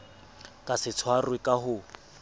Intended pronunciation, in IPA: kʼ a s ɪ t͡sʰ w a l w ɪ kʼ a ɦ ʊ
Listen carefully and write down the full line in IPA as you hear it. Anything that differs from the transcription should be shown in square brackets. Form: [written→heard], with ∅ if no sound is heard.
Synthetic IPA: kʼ a s ɪ t͡sʰ w a [l→r] w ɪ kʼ a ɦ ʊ